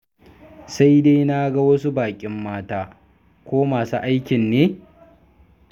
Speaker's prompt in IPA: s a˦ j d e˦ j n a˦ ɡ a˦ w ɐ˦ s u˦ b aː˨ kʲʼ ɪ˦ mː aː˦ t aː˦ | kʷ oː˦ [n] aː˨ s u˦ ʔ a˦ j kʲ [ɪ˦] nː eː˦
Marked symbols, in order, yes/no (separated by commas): no, no